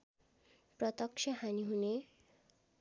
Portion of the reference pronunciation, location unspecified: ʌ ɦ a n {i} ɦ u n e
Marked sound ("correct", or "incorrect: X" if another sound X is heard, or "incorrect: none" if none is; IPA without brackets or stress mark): correct